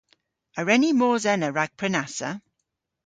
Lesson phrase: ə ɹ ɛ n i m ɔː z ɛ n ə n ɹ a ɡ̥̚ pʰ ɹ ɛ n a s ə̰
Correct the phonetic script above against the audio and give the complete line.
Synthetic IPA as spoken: ə ɹ ɛ n i m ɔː z ɛ n ə ɹ a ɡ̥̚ pʰ ɹ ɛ n a s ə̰